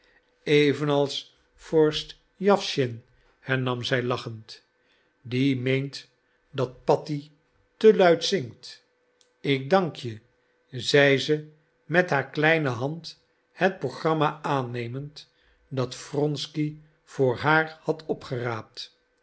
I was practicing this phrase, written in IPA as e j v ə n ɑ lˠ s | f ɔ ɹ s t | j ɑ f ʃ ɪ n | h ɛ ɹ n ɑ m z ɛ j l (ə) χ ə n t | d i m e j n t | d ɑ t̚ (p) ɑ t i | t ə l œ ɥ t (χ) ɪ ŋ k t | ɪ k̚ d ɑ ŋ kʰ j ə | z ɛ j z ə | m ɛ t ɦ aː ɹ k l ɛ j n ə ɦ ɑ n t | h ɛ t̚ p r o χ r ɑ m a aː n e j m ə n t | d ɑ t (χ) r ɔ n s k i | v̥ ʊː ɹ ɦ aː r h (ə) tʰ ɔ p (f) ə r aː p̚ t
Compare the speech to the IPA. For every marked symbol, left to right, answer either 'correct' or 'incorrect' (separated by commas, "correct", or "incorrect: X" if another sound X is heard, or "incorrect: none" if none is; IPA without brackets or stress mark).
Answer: incorrect: ɑ, correct, incorrect: s, incorrect: f, incorrect: ɑ, incorrect: χ